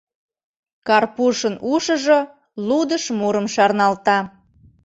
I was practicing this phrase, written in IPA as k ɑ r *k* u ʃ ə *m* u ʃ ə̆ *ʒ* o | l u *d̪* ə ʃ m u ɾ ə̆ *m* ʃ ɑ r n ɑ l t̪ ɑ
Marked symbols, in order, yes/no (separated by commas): no, no, yes, yes, yes